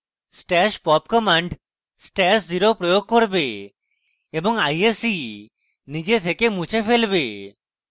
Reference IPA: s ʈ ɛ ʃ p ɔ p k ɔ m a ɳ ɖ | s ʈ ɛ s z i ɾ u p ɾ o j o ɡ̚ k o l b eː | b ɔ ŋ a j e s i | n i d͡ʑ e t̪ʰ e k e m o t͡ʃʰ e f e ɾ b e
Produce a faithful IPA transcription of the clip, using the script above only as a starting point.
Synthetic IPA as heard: s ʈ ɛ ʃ p ɔ p k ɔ m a ɳ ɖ | s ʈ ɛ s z i ɾ o p ɾ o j o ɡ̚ k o ɾ b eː | b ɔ ŋ a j e s i | n i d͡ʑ e t̪ʰ e k e m u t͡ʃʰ e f e l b e